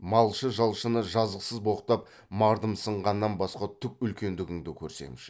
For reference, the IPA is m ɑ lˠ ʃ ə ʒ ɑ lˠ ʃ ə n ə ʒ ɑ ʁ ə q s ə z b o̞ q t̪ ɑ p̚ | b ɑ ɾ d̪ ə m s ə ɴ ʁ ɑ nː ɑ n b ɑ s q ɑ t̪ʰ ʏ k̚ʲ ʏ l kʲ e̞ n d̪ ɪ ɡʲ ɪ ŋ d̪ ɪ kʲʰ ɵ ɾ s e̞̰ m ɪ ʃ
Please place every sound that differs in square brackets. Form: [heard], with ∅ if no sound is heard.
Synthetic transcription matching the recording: m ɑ lˠ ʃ ə ʒ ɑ lˠ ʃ ə n ə ʒ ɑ [z] ə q s ə z b o̞ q t̪ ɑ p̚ | [m] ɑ ɾ d̪ ə m s ə ɴ ʁ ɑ nː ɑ n b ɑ s q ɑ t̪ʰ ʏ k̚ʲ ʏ l kʲ e̞ n d̪ ɪ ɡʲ ɪ ŋ d̪ ɪ kʲʰ ɵ ɾ s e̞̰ m ɪ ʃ